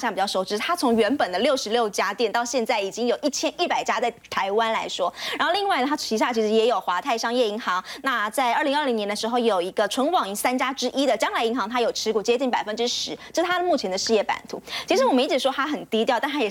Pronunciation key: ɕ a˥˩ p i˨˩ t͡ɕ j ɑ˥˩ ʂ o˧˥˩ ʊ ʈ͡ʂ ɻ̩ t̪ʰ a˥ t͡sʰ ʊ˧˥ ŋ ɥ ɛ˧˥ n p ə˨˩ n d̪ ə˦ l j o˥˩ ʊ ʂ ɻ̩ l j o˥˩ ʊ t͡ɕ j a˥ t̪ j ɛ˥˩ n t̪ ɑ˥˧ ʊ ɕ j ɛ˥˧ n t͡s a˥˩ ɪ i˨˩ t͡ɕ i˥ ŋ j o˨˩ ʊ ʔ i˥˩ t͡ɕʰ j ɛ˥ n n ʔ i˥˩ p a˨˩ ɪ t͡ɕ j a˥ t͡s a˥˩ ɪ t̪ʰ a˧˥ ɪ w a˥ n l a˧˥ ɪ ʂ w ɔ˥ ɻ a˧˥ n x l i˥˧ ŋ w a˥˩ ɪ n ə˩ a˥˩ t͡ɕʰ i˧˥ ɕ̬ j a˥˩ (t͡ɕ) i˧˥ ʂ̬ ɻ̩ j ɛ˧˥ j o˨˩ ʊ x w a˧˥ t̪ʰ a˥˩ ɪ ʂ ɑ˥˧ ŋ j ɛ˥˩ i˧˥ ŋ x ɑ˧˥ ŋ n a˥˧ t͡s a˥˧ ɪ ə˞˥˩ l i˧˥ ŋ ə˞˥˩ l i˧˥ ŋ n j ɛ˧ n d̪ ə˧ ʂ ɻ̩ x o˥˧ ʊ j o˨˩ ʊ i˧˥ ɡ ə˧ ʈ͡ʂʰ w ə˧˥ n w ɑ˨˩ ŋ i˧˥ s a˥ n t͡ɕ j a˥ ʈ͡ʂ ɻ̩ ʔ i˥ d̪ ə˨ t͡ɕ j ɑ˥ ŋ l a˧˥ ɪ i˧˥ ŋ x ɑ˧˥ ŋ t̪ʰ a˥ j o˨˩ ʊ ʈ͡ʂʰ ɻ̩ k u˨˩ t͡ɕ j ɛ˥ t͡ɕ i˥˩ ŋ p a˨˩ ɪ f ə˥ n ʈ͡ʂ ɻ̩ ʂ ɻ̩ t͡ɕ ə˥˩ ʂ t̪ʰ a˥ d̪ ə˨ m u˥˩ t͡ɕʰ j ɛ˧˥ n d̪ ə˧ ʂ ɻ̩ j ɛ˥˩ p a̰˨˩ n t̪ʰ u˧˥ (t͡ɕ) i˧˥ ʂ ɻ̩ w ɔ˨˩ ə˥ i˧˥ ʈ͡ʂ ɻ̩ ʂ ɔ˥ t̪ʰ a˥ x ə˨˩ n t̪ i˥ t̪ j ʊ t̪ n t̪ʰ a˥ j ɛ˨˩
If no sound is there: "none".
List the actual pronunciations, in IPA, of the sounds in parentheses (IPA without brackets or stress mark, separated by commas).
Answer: t͡ɕʰ, t͡ɕʰ